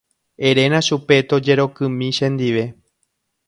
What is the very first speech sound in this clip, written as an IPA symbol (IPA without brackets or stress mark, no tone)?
e̞